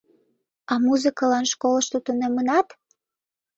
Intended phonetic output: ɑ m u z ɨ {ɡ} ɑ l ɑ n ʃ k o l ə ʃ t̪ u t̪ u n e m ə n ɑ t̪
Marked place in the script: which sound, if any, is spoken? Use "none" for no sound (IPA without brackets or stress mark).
k